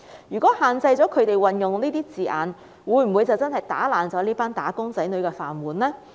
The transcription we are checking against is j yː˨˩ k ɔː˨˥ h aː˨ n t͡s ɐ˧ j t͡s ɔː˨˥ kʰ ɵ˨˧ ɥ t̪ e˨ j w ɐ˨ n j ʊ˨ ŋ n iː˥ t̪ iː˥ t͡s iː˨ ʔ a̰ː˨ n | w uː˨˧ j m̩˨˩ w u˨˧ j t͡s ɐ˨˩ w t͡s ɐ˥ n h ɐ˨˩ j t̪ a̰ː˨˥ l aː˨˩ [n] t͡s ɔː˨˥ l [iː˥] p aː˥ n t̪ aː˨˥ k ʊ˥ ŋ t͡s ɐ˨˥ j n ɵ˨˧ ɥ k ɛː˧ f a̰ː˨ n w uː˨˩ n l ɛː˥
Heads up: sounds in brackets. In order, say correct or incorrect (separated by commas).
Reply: correct, correct